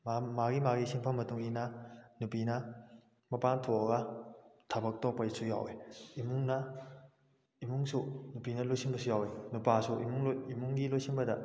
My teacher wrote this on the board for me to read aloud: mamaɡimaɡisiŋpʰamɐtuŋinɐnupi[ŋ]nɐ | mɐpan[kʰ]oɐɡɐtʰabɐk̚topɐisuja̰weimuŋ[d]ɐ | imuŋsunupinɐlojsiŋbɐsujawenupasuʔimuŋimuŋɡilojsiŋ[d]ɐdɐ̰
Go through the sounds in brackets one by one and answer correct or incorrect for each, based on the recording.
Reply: incorrect, incorrect, incorrect, incorrect

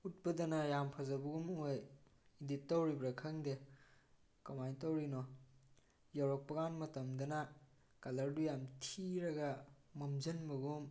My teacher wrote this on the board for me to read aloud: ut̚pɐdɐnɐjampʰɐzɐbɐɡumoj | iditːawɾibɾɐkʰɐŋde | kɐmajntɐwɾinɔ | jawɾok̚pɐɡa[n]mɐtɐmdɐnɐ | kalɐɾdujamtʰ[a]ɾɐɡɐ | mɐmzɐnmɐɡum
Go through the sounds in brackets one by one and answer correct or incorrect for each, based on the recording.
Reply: correct, incorrect

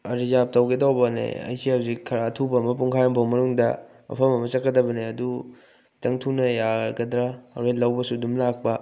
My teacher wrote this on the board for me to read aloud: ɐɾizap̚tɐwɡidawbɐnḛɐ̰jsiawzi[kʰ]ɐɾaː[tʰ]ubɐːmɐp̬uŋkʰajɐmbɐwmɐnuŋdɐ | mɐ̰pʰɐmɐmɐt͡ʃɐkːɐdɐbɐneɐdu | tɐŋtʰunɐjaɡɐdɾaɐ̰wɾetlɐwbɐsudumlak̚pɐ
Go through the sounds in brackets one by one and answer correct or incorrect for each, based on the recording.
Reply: correct, correct

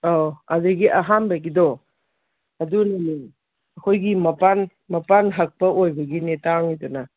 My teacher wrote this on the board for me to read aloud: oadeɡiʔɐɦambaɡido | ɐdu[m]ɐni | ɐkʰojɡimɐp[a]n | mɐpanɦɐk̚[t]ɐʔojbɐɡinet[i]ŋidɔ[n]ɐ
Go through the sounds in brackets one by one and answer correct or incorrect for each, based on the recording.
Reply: incorrect, correct, incorrect, incorrect, correct

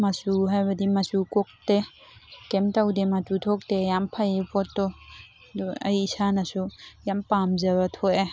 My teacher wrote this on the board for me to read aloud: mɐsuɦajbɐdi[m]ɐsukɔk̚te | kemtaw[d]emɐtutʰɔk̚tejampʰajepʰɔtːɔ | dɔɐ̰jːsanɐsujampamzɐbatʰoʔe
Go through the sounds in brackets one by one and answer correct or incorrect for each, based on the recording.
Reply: correct, correct

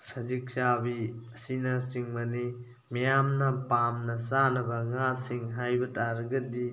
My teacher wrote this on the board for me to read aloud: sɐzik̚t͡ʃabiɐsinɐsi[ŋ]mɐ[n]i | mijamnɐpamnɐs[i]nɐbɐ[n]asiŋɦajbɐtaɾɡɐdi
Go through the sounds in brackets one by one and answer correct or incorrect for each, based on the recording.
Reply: correct, correct, incorrect, incorrect

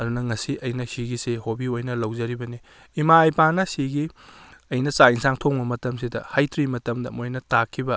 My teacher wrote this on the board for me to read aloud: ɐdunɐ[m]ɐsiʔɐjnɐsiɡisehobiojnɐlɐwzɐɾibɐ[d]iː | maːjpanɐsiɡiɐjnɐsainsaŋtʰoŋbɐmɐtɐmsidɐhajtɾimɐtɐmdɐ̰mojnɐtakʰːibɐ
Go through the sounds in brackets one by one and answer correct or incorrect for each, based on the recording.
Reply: incorrect, incorrect

